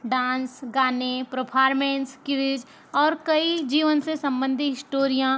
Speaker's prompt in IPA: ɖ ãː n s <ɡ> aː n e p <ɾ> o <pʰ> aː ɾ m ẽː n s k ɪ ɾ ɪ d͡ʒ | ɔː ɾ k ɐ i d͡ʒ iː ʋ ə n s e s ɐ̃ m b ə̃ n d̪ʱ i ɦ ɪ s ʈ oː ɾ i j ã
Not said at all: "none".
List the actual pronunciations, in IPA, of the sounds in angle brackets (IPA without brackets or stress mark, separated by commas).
ɡ, ɾ, pʰ